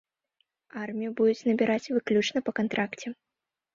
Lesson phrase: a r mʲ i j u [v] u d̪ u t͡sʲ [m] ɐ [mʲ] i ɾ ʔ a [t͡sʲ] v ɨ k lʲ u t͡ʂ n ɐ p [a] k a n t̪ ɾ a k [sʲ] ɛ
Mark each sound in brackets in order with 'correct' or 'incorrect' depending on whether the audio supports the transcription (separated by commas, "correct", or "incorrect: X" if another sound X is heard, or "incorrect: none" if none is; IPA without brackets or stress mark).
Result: incorrect: b, incorrect: n, incorrect: bʲ, correct, incorrect: ɐ, incorrect: t͡sʲ